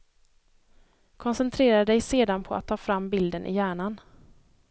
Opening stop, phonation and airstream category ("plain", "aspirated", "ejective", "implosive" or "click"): aspirated